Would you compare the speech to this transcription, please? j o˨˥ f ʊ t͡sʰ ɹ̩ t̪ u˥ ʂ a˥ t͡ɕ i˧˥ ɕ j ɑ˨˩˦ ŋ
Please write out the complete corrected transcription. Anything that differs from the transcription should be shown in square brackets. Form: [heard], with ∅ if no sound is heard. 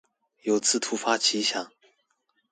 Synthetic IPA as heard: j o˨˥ [∅] ʊ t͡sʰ ɹ̩ [t̪ʰ] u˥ [f] a˥ [t͡ɕʰ] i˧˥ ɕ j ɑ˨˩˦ ŋ